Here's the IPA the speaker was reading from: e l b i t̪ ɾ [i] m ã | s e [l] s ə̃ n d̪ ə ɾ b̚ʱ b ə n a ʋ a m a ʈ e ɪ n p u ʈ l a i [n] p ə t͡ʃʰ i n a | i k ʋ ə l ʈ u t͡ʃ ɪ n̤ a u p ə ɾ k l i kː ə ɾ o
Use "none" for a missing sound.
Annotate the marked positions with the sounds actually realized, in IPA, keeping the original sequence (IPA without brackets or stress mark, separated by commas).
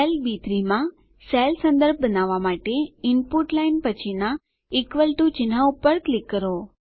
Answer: i, l, n